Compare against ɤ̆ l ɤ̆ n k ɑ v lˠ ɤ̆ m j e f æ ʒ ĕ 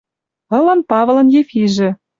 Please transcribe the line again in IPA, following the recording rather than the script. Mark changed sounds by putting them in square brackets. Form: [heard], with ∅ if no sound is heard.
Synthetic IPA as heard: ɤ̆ l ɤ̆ n [p] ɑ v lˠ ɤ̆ [n] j e f [i] ʒ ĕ